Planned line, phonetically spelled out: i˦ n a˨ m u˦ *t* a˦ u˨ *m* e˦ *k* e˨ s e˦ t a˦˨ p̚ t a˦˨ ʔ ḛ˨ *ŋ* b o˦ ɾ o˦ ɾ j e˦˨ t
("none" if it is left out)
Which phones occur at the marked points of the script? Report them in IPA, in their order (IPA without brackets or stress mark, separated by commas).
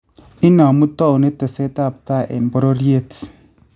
t, n, t, m